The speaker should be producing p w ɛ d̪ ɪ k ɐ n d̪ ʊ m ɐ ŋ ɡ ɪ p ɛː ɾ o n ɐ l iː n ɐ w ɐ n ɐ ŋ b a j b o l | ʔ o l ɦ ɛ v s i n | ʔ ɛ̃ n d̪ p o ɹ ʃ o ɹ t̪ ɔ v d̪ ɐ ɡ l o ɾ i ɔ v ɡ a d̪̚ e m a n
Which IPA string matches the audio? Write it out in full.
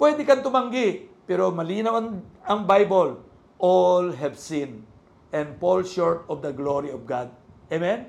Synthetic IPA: p w ɛ d̪ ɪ k ɐ n t̪ ʊ m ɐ ŋ ɡ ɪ p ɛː ɾ o m ɐ l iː n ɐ w ɐ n ɐ ŋ b a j b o l | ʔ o l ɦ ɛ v s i n | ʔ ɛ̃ n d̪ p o l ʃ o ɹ t̪ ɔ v d̪ ɐ ɡ l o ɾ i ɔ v ɡ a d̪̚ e m ɛ n